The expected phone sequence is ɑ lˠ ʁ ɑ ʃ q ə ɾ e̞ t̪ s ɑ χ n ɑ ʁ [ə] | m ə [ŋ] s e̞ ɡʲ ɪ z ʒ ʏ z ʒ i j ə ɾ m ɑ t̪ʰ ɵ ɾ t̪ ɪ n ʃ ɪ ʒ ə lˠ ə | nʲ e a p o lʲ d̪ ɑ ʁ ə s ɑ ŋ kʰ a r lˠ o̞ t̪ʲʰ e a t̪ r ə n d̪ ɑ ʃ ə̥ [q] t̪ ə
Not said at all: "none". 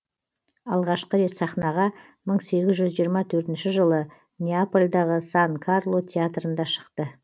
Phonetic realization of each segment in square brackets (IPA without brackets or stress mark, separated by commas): ɑ, ɴ, q